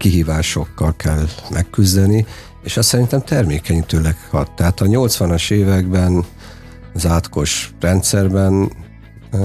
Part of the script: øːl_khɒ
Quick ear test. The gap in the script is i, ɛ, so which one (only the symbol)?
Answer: ɛ